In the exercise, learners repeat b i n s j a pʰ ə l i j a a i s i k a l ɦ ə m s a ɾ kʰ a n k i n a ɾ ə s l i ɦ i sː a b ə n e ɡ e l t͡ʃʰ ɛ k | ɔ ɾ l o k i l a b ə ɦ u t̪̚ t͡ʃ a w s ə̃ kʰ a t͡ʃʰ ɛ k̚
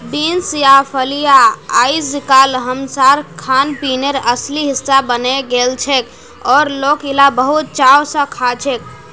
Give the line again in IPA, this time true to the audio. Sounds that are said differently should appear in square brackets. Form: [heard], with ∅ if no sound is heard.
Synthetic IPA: b i n s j a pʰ ə l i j a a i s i k a l ɦ ə m s a ɾ kʰ a n [p] i n [e] ɾ ə s l i ɦ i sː a b ə n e ɡ e l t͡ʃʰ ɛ k | ɔ ɾ l o k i l a b ə ɦ u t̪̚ t͡ʃ a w s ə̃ kʰ a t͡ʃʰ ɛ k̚